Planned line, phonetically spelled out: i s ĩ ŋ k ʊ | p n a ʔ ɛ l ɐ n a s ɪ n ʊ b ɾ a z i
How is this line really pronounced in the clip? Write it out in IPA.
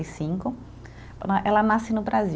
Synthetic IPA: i s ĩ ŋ k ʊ | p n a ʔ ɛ l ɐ n a s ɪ n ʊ b ɾ a z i